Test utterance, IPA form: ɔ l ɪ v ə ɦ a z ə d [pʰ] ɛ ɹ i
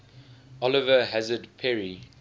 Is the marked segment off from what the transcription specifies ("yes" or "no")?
no